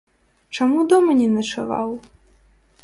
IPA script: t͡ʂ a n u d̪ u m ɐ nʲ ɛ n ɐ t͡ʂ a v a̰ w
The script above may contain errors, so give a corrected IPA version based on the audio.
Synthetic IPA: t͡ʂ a m u d̪ ɔ m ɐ nʲ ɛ n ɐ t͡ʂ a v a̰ w